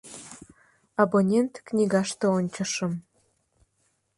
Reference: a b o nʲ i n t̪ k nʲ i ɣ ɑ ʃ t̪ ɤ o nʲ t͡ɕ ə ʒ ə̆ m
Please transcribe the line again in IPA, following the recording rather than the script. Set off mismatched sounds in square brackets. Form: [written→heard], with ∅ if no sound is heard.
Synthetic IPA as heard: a b o nʲ [i→e] n t̪ k nʲ i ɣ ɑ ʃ t̪ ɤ o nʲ t͡ɕ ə [ʒ→ʃ] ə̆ m